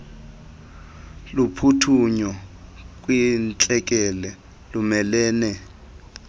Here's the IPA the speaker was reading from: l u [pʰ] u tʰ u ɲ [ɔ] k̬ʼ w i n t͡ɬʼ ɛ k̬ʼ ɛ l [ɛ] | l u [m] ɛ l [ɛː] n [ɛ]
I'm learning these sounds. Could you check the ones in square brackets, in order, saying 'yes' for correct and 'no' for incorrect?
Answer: yes, yes, yes, yes, yes, yes

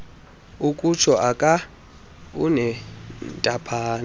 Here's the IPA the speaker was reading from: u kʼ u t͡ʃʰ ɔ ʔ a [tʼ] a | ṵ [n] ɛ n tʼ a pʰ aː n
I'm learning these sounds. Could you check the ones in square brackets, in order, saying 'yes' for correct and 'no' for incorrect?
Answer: no, yes

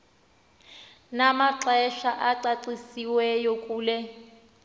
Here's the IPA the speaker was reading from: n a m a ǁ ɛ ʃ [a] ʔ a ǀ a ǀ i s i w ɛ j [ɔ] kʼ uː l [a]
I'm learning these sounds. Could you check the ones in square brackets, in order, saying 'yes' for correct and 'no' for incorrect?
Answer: yes, no, no

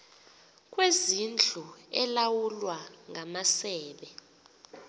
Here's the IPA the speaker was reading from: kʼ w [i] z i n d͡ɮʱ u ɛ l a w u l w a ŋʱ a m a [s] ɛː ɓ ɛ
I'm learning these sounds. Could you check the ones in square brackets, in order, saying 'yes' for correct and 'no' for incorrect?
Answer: no, yes

